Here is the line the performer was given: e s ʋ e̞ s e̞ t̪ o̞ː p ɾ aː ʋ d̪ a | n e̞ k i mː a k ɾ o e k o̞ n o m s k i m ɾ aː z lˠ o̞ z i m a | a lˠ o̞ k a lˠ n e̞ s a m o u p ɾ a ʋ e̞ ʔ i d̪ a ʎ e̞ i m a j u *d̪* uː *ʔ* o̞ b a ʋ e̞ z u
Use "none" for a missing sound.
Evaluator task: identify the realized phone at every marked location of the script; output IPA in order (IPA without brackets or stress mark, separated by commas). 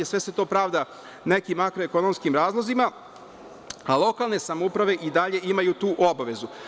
t̪, ʔ